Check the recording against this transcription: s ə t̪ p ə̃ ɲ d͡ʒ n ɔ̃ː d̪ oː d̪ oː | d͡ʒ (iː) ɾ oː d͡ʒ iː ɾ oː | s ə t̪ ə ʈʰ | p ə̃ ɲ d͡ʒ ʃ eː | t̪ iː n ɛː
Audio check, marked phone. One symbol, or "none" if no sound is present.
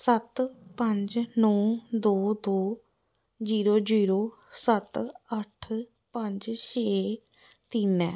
iː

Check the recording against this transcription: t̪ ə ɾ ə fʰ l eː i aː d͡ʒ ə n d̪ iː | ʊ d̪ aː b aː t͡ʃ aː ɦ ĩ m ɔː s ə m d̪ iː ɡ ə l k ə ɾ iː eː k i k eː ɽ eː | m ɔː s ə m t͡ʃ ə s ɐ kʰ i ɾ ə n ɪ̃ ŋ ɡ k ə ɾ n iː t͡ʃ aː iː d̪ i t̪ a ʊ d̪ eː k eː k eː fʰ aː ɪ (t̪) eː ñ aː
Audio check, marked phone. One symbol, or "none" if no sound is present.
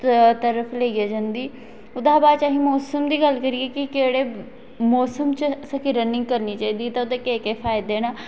d̪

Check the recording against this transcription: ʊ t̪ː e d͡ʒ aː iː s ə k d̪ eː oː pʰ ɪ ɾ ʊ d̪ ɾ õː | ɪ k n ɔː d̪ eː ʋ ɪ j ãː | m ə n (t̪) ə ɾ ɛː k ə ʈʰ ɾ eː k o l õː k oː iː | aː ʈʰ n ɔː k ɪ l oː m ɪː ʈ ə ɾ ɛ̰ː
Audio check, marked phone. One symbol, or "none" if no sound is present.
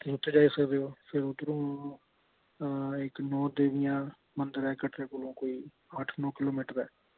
d̪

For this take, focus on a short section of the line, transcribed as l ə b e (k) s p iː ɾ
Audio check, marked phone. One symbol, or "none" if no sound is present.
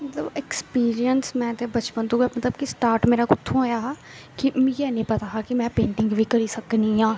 k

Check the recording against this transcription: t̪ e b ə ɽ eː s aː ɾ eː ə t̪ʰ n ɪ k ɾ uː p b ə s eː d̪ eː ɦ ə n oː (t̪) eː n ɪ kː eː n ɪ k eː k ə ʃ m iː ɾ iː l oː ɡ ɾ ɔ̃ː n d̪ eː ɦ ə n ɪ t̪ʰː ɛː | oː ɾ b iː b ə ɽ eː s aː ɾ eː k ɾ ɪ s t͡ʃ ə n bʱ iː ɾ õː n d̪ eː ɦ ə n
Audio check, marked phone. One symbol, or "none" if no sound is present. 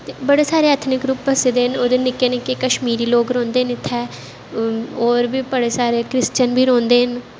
d̪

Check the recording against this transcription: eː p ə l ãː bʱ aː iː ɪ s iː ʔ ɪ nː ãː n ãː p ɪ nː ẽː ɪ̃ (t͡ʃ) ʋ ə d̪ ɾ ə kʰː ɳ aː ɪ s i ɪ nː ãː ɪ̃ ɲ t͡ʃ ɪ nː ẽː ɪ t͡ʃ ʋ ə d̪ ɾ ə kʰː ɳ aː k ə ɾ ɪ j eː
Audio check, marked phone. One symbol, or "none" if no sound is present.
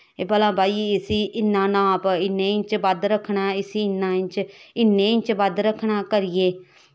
t͡ʃ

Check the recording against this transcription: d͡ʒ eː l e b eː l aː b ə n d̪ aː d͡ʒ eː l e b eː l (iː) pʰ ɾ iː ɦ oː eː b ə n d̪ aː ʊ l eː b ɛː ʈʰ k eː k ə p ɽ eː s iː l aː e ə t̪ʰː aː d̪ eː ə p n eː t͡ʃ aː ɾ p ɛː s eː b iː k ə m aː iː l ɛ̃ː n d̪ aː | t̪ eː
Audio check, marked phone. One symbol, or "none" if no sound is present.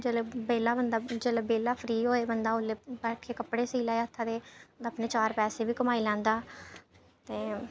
aː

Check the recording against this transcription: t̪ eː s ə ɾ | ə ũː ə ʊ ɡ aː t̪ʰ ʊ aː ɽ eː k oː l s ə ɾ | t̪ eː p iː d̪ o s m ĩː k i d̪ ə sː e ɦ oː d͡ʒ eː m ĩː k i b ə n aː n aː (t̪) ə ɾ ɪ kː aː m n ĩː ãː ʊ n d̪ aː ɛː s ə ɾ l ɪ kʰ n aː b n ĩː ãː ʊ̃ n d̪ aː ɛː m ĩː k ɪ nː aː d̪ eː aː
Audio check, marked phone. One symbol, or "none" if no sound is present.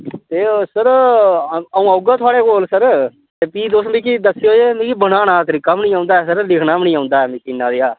t̪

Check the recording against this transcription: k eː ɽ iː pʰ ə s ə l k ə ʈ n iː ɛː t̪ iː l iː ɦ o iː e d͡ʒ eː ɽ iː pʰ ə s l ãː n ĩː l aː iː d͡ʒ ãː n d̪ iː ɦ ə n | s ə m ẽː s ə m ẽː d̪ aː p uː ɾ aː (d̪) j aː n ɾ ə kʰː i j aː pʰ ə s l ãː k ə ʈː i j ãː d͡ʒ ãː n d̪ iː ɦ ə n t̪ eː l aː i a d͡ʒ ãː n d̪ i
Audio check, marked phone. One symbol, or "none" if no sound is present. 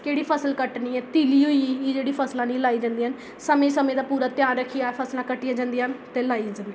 t̪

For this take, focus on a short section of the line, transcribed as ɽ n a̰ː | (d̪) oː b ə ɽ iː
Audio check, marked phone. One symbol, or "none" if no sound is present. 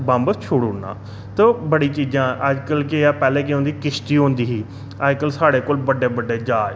t̪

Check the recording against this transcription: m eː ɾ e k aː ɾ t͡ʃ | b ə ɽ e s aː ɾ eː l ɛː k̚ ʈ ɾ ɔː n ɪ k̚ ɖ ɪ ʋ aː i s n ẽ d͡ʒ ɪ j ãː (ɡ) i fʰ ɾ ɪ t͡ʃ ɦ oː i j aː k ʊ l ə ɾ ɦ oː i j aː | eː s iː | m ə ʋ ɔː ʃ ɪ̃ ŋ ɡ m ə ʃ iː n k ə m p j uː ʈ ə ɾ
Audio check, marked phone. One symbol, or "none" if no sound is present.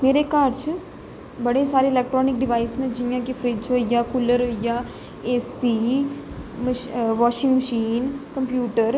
k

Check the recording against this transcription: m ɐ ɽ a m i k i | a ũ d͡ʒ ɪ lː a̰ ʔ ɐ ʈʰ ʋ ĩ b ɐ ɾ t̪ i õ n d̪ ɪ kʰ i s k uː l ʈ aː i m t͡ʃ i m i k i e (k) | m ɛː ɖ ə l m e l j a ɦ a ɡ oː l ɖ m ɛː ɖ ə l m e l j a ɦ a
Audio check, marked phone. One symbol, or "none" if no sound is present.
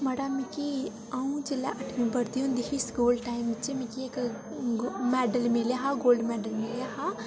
k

